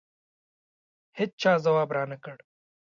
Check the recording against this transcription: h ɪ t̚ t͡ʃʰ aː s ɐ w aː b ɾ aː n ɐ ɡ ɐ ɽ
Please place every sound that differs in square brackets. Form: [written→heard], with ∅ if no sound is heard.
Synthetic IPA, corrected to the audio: h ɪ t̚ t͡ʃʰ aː [s→z] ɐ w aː b ɾ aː n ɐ [ɡ→k] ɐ ɽ